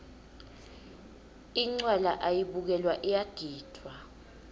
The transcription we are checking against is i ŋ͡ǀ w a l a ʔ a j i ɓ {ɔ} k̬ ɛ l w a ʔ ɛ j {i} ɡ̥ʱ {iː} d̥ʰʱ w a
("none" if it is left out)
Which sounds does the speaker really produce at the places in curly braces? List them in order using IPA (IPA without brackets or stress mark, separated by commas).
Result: u, a, iː